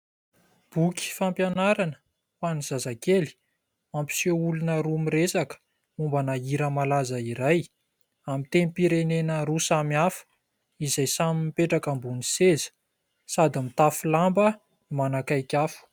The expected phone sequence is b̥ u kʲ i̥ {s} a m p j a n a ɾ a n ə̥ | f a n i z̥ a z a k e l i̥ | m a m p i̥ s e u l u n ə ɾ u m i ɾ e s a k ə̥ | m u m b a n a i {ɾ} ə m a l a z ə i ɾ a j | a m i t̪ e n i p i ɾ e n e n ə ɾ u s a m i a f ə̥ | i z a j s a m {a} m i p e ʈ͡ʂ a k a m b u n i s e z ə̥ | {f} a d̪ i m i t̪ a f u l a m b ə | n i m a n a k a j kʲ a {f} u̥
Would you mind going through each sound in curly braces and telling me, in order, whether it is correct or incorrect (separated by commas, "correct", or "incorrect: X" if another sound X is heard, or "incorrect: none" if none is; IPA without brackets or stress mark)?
incorrect: f, correct, incorrect: i, incorrect: s, correct